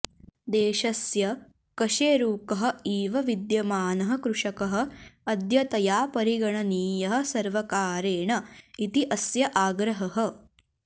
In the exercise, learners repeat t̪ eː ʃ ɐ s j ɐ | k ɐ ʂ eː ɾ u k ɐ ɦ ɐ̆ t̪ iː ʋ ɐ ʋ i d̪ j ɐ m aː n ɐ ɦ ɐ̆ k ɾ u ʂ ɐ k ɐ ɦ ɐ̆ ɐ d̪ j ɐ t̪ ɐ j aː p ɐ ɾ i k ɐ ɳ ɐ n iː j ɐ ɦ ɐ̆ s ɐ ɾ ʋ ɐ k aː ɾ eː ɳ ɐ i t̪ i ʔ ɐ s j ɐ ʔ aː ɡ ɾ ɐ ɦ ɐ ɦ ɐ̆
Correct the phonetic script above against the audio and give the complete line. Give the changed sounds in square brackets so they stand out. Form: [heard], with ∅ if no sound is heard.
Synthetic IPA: [d̪] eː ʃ ɐ s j ɐ | k ɐ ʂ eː ɾ [uː] k ɐ ɦ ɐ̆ [∅] iː ʋ ɐ ʋ i d̪ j ɐ m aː n ɐ ɦ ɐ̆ k ɾ u ʂ ɐ k ɐ ɦ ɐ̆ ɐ d̪ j ɐ t̪ ɐ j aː p ɐ ɾ i [ɡ] ɐ ɳ ɐ n iː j ɐ ɦ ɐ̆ s ɐ ɾ ʋ ɐ k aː ɾ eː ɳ ɐ i t̪ i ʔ ɐ s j ɐ ʔ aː ɡ ɾ ɐ ɦ ɐ ɦ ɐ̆

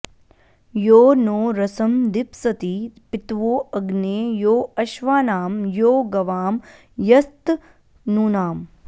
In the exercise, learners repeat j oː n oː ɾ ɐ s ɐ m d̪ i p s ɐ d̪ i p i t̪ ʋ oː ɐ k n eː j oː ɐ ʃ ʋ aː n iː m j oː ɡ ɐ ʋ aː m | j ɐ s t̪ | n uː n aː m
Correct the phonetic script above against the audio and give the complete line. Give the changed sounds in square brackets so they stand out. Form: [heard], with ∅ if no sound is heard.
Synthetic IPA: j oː n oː ɾ ɐ s ɐ m d̪ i p s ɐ [t̪] i p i t̪ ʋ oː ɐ [ɡ] n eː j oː ɐ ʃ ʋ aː n [aː] m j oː ɡ ɐ ʋ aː m | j ɐ s t̪ | n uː n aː m

